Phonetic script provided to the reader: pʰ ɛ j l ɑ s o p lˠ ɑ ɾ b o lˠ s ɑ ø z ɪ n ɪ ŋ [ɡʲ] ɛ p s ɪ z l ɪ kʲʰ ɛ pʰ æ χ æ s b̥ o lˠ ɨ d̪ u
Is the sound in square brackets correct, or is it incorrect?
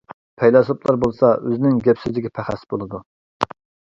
correct